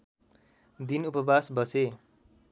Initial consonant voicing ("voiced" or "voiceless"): voiced